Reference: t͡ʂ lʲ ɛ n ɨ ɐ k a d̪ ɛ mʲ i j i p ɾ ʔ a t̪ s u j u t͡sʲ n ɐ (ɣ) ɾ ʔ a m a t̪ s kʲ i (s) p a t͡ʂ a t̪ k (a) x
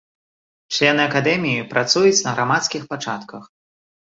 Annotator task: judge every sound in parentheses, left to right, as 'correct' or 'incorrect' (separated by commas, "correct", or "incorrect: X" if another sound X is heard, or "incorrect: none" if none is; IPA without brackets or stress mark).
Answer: correct, incorrect: x, incorrect: ɐ